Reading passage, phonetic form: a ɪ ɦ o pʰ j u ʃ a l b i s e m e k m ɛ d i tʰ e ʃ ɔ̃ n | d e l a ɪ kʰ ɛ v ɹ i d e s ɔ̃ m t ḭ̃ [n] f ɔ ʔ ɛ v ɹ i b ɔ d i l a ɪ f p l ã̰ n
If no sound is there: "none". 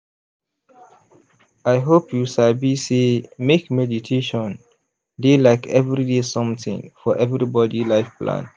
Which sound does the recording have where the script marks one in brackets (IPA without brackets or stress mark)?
ŋ